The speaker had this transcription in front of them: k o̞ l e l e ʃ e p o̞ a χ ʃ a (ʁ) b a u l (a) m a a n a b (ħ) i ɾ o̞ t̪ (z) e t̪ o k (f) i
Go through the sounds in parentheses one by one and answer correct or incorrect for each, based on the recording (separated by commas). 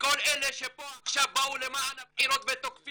incorrect, incorrect, correct, incorrect, correct